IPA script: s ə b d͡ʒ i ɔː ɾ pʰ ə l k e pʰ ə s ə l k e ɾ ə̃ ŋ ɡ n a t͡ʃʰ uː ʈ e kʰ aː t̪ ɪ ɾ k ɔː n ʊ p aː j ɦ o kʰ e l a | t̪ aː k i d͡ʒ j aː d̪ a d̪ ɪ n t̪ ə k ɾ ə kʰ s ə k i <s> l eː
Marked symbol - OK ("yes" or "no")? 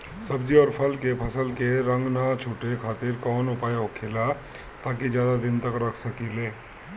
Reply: no